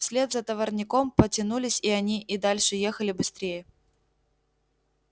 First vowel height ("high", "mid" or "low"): mid